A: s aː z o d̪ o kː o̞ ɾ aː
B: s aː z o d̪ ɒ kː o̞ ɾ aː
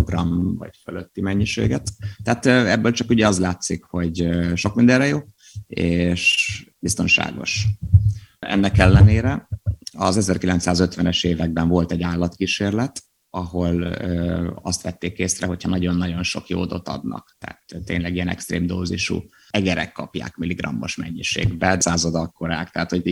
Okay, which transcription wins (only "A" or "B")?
B